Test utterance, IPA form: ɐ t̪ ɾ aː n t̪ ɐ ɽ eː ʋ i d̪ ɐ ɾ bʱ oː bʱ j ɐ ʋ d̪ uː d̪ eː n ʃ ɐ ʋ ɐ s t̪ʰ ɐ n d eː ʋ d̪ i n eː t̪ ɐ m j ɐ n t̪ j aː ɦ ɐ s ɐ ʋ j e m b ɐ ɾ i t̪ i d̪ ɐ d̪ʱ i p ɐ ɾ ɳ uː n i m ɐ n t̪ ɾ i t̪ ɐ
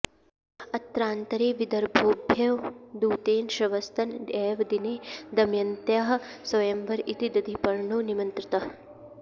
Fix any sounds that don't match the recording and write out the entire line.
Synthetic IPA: ɐ t̪ ɾ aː n t̪ ɐ ɾ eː ʋ i d̪ ɐ ɾ bʱ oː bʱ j ɐ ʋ d̪ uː t̪ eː n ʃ ɐ ʋ ɐ s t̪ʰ ɐ n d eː ʋ d̪ i n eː d̪ ɐ m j ɐ n t̪ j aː ɦ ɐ s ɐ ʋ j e m b ɐ ɾ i t̪ i d̪ ɐ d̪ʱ i p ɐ ɾ ɳ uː n i m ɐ n t̪ ɾ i t̪ ɐ